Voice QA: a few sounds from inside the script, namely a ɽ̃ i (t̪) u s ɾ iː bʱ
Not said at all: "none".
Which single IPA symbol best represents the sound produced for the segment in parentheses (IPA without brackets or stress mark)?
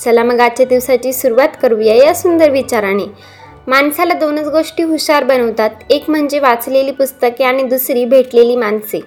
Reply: d̪